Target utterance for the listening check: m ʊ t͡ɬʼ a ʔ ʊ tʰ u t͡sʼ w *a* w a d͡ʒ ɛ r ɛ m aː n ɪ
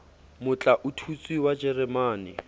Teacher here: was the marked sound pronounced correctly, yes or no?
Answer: no